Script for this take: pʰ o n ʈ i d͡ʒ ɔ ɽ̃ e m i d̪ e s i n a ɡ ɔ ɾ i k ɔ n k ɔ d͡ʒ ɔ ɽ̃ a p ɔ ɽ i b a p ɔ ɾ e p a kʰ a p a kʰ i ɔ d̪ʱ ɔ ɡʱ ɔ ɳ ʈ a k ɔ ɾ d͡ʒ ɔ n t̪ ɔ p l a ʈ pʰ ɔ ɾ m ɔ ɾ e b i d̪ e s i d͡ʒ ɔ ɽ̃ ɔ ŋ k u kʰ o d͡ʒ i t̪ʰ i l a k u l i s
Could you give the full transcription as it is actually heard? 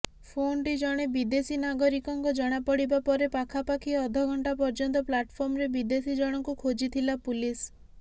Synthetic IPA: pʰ o n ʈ i d͡ʒ ɔ ɽ̃ e b i d̪ e s i n a ɡ ɔ ɾ i k ɔ ŋ k ɔ d͡ʒ ɔ ɽ̃ a p ɔ ɽ i b a p ɔ ɾ e p a kʰ a p a kʰ i ɔ d̪ʱ ɔ ɡʱ ɔ ɳ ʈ a p ɔ ɾ d͡ʒ ɔ n t̪ ɔ p l a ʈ pʰ ɔ ɾ m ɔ ɾ e b i d̪ e s i d͡ʒ ɔ ɽ̃ ɔ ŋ k u kʰ o d͡ʒ i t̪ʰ i l a p u l i s